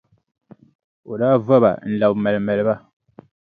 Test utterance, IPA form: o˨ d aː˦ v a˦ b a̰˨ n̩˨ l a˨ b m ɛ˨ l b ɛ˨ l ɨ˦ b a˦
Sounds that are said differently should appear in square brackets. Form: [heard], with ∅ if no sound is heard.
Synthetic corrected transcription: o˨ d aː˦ v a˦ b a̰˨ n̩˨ l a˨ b m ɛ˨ l [m] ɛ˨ l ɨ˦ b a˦